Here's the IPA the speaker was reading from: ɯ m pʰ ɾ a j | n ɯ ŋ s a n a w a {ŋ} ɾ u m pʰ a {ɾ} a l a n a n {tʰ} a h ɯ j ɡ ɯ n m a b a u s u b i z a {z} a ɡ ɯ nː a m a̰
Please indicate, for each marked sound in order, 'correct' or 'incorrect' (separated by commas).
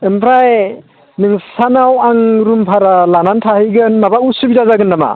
correct, correct, correct, correct